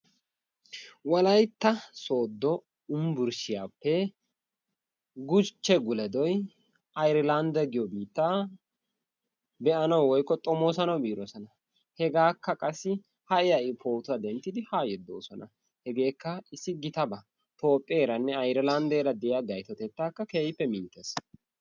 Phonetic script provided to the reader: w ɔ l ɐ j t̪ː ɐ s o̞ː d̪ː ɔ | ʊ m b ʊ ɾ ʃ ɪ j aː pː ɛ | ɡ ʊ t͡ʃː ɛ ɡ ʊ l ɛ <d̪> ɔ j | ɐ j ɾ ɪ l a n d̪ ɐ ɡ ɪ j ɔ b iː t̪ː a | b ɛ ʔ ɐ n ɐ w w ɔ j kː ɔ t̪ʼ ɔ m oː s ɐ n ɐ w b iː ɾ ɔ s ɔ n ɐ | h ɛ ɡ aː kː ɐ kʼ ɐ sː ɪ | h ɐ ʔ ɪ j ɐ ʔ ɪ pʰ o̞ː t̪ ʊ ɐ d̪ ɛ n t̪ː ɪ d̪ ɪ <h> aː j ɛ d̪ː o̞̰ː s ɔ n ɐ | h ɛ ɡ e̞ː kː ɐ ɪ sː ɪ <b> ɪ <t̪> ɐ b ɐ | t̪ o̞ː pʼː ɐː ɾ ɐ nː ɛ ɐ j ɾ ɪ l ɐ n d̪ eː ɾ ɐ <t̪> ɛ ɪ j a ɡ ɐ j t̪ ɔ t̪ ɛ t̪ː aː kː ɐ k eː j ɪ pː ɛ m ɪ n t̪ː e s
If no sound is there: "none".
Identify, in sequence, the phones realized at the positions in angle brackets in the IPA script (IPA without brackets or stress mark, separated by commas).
d̪, h, ɡ, t̪, d̪